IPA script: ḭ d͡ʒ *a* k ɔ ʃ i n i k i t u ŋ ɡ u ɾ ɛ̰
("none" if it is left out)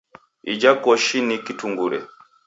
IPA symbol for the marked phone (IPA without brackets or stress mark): a